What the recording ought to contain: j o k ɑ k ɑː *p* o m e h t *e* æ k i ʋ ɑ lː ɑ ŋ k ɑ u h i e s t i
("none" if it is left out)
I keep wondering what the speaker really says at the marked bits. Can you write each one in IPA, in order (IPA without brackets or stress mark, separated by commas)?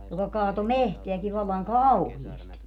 t, e